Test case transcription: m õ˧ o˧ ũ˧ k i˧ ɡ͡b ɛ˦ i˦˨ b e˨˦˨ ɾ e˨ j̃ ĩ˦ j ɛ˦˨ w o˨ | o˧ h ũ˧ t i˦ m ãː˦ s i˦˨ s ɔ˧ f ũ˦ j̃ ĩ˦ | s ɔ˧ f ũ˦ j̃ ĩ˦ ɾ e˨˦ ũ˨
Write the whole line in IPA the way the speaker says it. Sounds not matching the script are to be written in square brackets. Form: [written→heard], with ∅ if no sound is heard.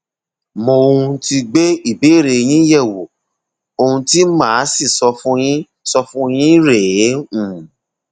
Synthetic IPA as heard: m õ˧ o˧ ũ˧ [k→t] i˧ ɡ͡b [ɛ˦→e˦] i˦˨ b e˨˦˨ ɾ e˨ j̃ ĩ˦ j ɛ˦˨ w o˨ | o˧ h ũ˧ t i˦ m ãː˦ s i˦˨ s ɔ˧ f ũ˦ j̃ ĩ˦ | s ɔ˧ f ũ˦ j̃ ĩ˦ ɾ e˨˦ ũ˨

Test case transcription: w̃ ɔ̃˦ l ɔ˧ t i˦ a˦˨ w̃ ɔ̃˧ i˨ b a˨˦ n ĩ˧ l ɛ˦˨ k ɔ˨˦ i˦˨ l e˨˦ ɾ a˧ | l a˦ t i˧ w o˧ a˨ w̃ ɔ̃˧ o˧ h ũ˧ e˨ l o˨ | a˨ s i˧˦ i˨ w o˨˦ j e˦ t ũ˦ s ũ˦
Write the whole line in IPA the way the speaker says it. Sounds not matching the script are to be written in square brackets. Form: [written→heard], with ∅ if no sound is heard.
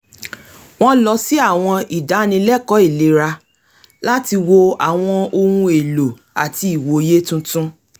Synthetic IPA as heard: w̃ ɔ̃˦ l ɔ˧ [t→s] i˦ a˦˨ w̃ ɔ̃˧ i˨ [b→d] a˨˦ n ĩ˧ l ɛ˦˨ k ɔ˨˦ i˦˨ l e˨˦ ɾ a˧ | l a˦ t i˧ w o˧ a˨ w̃ ɔ̃˧ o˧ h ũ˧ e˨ l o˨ | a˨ [s→t] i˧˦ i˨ w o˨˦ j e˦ t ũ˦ [s→t] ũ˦

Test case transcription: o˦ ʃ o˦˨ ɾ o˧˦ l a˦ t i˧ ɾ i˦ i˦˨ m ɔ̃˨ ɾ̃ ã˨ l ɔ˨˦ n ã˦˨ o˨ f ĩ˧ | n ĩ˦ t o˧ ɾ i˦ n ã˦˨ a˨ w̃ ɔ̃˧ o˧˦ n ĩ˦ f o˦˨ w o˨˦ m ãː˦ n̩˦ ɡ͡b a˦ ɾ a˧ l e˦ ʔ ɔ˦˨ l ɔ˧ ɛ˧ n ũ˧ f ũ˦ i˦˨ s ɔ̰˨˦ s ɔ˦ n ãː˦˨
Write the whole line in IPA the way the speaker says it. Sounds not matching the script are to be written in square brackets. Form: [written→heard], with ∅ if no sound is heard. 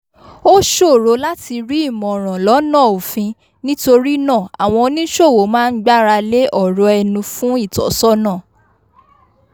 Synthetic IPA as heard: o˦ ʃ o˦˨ ɾ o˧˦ l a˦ t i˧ ɾ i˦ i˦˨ m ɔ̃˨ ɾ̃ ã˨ l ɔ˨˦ n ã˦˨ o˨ f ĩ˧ | n ĩ˦ t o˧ ɾ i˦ n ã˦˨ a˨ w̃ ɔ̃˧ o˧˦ n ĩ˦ [f→ʃ] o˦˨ w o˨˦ m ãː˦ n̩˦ ɡ͡b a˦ ɾ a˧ l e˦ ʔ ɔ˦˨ [l→ɾ] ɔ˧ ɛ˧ n ũ˧ f ũ˦ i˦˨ [s→t] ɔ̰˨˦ s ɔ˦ n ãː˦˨

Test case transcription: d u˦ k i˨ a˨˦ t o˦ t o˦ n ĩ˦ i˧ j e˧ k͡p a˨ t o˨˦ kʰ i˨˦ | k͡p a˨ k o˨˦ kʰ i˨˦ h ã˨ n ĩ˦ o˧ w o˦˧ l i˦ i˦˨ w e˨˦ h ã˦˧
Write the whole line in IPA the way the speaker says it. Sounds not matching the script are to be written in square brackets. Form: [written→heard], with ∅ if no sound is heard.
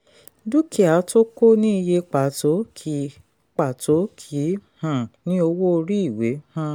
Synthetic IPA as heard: d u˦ k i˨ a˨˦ t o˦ [t→k] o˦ n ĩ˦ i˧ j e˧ k͡p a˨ t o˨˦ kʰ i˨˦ | k͡p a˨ [k→t] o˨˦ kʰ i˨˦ h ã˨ n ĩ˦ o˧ w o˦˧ [l→ɾ] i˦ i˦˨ w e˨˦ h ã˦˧

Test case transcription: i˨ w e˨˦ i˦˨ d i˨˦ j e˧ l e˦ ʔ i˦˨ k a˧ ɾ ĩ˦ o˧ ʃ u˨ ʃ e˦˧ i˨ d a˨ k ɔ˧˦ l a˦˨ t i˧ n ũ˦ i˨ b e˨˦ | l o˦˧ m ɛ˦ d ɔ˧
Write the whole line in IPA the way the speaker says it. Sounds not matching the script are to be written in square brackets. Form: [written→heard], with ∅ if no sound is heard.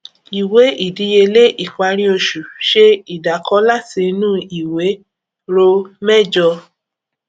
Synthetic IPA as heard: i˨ w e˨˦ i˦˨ d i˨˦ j e˧ l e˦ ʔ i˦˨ [k→k͡p] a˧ ɾ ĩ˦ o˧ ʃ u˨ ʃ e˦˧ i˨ d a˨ k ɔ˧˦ l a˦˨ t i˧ n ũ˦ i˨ [b→w] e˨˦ | [l→ɾ] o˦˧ m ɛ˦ [d→d͡ʒ] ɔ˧

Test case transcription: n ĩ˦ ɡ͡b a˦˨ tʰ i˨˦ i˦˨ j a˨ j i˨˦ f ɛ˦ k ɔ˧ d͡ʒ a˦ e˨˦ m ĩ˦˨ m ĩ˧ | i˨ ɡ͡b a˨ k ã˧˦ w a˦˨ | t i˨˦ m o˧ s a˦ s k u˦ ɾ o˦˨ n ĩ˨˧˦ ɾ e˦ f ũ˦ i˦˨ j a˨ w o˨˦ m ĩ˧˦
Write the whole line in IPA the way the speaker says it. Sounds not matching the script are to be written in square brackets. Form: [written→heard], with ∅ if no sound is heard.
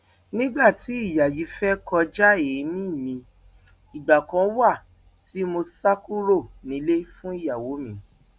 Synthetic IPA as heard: n ĩ˦ ɡ͡b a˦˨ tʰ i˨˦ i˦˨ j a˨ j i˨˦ f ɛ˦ k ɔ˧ d͡ʒ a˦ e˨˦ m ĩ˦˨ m ĩ˧ | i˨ ɡ͡b a˨ k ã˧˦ w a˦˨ | t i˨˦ m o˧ s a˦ [s→∅] k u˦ ɾ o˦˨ n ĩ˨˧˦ [ɾ→l] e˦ f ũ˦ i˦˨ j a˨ w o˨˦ m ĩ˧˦

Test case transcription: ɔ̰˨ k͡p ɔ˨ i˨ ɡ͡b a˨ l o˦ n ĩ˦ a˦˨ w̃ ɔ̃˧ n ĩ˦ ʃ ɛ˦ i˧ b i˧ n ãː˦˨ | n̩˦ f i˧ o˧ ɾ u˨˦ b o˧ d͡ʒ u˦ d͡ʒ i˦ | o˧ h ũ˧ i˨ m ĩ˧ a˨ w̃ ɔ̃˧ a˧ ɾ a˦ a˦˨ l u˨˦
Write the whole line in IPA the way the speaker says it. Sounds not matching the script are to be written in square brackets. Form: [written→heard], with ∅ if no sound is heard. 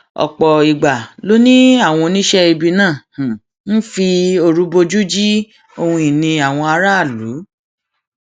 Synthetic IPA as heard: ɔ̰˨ k͡p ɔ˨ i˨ ɡ͡b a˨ l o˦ n ĩ˦ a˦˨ w̃ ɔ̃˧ n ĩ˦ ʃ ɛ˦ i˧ b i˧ n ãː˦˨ | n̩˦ f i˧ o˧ ɾ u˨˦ b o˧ d͡ʒ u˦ d͡ʒ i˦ | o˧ h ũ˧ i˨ [m→n] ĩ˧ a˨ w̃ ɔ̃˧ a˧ ɾ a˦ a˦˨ l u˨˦

